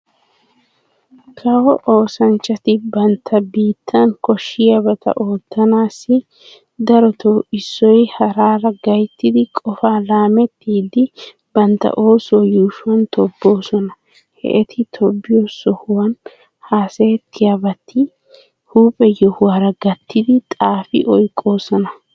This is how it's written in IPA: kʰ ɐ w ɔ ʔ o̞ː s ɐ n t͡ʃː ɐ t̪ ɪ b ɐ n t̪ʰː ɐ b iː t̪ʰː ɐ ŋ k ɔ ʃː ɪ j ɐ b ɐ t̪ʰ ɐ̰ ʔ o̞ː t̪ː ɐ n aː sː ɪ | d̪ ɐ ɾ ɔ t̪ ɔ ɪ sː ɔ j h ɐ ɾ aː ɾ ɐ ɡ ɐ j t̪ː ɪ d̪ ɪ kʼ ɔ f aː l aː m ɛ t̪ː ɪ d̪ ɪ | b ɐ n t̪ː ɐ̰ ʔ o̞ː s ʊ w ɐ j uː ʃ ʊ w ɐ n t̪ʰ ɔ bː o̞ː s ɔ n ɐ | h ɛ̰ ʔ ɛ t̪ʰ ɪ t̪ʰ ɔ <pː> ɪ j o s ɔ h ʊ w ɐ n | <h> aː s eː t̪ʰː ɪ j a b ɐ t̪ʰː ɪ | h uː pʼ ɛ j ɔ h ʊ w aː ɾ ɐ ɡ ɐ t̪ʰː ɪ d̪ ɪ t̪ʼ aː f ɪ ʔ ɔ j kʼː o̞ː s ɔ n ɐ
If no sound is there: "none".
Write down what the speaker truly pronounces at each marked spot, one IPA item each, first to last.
bː, h

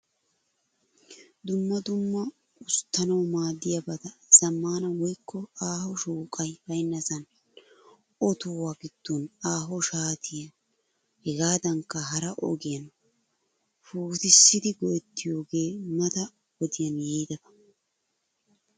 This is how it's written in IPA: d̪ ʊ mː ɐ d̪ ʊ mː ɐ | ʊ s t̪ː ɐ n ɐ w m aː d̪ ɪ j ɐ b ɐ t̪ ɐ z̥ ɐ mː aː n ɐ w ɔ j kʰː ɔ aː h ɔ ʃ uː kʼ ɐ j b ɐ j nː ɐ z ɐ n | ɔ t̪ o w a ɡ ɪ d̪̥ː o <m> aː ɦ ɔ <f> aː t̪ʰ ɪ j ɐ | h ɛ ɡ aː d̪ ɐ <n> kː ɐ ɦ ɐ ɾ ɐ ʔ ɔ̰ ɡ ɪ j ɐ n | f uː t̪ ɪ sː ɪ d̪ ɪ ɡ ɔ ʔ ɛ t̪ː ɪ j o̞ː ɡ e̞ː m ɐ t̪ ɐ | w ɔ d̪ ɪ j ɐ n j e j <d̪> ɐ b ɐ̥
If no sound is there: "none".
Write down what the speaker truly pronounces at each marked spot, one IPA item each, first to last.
n, ʃ, ŋ, d̪

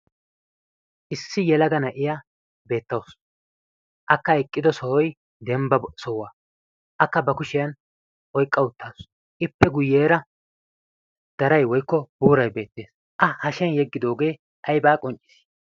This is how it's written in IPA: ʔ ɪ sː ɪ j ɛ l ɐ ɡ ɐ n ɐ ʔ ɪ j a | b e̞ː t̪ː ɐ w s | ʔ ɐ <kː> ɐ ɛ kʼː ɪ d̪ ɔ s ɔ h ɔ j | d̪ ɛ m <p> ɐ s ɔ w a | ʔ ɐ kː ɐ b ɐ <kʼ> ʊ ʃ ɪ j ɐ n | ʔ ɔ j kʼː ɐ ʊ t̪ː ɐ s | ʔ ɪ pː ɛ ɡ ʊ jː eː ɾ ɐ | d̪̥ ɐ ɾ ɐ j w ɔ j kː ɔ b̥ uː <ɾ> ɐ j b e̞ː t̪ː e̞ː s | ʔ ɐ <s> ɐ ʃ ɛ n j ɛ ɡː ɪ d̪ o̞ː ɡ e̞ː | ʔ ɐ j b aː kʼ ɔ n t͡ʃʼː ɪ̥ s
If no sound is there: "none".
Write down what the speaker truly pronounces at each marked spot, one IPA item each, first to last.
kː, b, k, ɾ, h

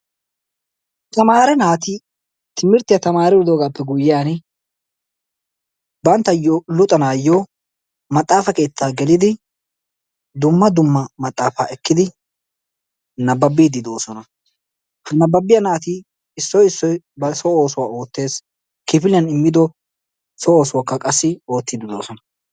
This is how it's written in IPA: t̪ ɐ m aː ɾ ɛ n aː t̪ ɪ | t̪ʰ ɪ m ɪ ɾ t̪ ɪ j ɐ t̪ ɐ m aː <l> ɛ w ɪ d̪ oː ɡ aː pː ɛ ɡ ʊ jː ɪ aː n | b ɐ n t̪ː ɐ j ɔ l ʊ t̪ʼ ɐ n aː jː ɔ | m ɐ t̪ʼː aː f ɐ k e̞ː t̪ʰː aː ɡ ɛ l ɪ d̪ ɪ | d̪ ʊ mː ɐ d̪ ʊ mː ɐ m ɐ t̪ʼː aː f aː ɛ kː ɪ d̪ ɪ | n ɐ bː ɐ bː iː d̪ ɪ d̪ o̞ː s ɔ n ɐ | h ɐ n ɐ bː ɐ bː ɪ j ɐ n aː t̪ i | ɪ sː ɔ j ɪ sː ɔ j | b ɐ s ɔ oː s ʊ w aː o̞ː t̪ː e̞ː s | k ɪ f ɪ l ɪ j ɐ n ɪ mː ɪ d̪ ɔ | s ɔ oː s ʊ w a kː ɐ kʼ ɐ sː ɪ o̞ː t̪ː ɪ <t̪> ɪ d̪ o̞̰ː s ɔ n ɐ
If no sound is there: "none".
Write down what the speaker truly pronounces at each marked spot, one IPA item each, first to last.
ɾ, d̪

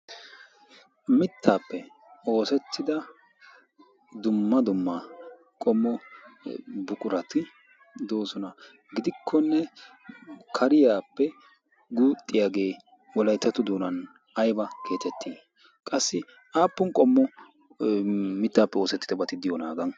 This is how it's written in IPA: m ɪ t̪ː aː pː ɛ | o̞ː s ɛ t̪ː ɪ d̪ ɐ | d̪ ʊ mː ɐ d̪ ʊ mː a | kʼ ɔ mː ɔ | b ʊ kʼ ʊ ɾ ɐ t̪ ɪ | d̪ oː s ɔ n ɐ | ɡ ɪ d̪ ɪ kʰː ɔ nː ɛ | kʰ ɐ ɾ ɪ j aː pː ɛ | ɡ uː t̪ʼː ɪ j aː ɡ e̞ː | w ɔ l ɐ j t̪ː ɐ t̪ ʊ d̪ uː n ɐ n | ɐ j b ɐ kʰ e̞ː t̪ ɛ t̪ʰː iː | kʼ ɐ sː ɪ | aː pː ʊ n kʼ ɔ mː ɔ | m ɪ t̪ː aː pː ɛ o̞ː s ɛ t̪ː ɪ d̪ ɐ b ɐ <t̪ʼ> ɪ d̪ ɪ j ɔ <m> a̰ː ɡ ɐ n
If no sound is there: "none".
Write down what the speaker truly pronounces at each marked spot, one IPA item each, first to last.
t̪, n

